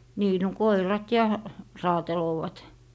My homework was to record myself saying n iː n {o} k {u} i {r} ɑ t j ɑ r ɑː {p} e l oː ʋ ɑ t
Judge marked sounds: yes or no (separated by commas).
yes, no, yes, no